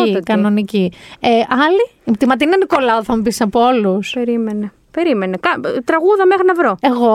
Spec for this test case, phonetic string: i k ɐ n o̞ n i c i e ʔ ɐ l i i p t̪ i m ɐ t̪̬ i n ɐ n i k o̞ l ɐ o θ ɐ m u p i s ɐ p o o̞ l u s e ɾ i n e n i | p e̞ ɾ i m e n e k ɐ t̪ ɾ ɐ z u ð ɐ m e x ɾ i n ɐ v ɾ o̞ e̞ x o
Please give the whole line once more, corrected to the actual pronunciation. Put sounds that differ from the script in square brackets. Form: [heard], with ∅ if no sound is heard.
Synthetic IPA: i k ɐ n o̞ n i c i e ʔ ɐ l i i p t̪ i m ɐ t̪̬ i n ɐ n i k o̞ l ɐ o θ ɐ m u p i s ɐ p o o̞ l u s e ɾ i [m] e n [e] | p e̞ ɾ i m e n e k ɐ t̪ ɾ ɐ [ɣ] u ð ɐ m e x ɾ i n ɐ v ɾ o̞ e̞ [ɣ] o